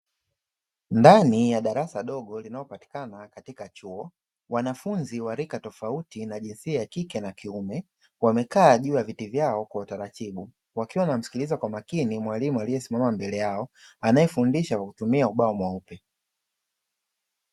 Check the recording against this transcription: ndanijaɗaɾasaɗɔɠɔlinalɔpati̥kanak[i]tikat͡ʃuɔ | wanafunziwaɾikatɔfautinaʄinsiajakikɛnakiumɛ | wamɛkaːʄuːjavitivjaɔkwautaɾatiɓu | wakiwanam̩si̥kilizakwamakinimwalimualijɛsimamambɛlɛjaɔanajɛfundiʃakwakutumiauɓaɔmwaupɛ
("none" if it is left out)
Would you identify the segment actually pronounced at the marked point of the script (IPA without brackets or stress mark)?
a